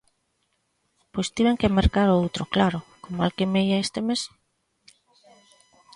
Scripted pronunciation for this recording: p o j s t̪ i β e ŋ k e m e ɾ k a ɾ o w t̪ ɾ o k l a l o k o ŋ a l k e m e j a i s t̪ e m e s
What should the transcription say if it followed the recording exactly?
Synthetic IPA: p o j s t̪ i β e ŋ k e m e ɾ k a ɾ o w t̪ ɾ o k l a ɾ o k o m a l k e m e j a e s t̪ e m e s